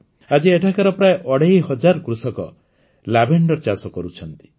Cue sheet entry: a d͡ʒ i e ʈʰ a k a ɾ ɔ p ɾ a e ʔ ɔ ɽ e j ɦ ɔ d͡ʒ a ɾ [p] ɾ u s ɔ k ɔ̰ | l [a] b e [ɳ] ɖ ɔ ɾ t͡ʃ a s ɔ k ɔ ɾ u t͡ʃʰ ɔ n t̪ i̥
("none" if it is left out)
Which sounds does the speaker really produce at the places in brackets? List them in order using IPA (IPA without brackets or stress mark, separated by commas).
k, a, ɳ